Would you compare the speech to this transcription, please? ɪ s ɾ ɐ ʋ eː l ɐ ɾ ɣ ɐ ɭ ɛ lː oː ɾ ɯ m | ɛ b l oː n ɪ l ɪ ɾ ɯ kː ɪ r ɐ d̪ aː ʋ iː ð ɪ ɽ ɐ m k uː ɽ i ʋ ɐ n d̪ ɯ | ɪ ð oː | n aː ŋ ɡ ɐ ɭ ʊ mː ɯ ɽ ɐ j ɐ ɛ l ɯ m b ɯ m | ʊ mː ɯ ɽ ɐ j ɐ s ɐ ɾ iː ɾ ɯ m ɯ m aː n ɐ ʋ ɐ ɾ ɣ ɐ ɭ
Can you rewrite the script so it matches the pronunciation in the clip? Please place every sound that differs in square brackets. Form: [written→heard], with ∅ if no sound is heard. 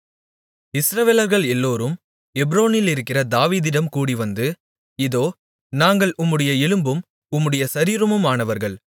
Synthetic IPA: ɪ s ɾ ɐ ʋ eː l ɐ ɾ ɣ ɐ ɭ ɛ lː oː ɾ ɯ m | ɛ b [l→ɾ] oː n ɪ l ɪ ɾ ɯ kː ɪ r ɐ d̪ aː ʋ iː ð ɪ ɽ ɐ m k uː ɽ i ʋ ɐ n d̪ ɯ | ɪ ð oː | n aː ŋ ɡ ɐ ɭ ʊ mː ɯ ɽ ɐ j ɐ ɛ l ɯ m b ɯ m | ʊ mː ɯ ɽ ɐ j ɐ s ɐ ɾ iː ɾ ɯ m ɯ m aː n ɐ ʋ ɐ ɾ ɣ ɐ ɭ